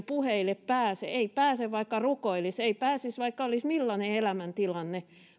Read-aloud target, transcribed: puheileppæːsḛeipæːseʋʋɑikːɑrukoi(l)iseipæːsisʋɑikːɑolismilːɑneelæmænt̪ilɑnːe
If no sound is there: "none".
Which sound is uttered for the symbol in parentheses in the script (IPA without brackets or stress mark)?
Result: l